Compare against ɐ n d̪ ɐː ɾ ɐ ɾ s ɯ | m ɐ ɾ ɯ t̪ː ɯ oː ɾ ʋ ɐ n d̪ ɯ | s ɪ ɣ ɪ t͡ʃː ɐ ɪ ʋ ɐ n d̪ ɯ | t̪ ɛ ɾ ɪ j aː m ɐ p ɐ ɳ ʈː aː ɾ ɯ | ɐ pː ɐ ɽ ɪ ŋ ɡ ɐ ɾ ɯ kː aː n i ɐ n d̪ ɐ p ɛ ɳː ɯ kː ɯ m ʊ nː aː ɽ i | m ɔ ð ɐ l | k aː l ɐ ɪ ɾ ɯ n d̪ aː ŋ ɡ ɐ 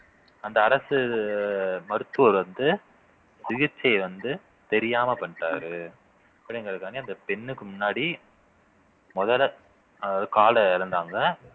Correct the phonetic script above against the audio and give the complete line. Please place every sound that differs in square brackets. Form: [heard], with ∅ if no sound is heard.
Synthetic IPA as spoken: ɐ n d̪ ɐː ɾ ɐ [∅] s ɯ | m ɐ ɾ ɯ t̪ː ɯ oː ɾ ʋ ɐ n d̪ ɯ | s ɪ ɣ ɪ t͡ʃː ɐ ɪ ʋ ɐ n d̪ ɯ | t̪ ɛ ɾ ɪ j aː m ɐ p ɐ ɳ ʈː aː ɾ ɯ | ɐ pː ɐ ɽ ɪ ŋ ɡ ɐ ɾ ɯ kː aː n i ɐ n d̪ ɐ p ɛ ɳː ɯ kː ɯ m ʊ nː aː ɽ i | m ɔ ð ɐ l | k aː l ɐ ɪ ɾ ɯ n d̪ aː ŋ ɡ ɐ